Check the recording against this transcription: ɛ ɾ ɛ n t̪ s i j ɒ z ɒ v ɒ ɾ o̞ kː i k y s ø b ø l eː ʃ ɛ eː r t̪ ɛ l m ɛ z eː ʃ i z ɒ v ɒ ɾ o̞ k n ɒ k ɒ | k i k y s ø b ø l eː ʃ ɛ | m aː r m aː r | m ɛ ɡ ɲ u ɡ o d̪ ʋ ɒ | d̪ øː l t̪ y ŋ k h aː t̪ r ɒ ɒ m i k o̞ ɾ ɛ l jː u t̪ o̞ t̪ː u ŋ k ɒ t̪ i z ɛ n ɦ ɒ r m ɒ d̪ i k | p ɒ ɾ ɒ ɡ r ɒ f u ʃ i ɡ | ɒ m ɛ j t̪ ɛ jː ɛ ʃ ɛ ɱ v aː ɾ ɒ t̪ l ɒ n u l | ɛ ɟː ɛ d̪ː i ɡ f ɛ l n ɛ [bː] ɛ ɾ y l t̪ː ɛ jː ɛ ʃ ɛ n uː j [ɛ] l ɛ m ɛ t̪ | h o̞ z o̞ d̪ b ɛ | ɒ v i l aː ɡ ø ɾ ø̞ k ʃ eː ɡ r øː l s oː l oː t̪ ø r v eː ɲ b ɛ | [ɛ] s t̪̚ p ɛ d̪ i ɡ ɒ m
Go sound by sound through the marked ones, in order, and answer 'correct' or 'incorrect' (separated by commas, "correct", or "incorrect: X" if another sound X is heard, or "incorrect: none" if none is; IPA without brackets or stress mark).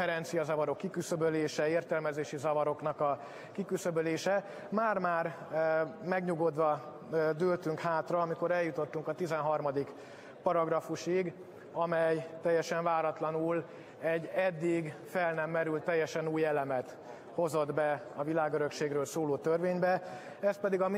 incorrect: mː, correct, correct